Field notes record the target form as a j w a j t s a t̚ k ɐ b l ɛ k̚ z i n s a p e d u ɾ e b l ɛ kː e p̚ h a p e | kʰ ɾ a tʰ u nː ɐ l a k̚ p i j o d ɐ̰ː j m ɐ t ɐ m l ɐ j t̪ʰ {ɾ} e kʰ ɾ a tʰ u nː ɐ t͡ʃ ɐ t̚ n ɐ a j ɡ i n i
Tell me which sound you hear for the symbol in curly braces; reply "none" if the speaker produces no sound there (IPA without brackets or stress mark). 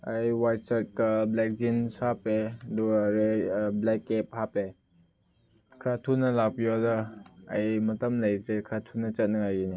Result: ɾ